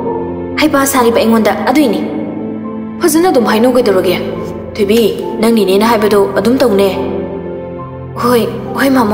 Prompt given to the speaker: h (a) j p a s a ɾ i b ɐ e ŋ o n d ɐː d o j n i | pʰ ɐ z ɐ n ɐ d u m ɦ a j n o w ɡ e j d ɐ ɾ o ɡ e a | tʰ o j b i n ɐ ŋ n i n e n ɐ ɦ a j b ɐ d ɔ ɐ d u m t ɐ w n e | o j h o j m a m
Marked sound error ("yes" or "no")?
no